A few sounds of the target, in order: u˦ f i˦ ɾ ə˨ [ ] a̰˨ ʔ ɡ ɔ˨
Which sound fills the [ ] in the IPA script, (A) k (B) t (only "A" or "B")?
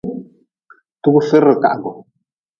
A